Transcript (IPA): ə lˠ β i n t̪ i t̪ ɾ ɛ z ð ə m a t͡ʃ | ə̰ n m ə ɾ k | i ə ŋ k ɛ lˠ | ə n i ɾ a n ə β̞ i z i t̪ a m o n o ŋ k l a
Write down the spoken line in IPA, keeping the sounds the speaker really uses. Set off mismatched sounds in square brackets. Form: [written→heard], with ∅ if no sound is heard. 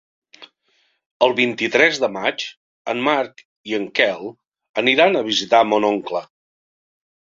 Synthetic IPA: ə lˠ β i n t̪ i t̪ ɾ ɛ z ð ə m a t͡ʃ | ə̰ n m [ə→a] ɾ k | i ə ŋ k ɛ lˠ | ə n i ɾ a n ə β̞ i z i t̪ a m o n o ŋ k l [a→ə]